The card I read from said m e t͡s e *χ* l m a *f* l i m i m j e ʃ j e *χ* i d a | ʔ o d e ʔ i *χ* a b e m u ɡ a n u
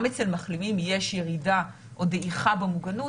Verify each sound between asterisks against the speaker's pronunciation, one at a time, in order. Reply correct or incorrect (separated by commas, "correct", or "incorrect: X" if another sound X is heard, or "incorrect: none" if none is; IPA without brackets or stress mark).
incorrect: none, incorrect: χ, incorrect: ʁ, correct